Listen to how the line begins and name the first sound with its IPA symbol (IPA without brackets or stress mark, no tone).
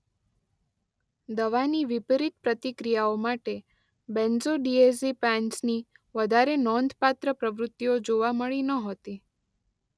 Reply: d̪